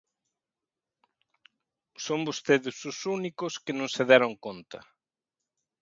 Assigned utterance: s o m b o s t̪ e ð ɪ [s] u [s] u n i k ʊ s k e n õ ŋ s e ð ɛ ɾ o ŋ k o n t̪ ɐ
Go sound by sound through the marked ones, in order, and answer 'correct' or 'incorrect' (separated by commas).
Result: correct, correct